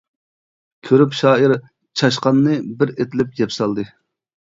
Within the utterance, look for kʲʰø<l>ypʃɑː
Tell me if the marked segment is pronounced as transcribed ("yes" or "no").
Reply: no